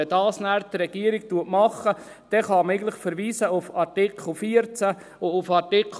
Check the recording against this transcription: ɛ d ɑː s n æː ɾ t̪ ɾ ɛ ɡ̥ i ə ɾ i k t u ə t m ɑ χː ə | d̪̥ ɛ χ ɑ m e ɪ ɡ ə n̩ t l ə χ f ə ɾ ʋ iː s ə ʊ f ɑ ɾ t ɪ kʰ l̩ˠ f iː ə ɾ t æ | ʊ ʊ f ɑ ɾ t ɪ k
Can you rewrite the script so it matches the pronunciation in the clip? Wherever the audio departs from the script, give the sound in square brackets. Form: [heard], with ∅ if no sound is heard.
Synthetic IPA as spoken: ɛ d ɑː s n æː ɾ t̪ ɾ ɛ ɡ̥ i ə ɾ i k t u ə t m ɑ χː ə | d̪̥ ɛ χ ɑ m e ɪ ɡ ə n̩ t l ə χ f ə ɾ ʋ iː s ə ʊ f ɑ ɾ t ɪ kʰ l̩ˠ f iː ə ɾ [t͡s] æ | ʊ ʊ f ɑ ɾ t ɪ k